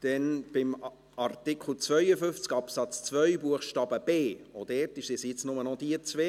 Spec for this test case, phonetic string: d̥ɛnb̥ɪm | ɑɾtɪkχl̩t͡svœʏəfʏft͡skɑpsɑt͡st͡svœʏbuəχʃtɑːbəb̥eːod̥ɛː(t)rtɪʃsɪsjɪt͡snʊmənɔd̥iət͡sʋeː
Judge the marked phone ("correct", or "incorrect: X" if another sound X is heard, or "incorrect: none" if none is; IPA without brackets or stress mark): incorrect: none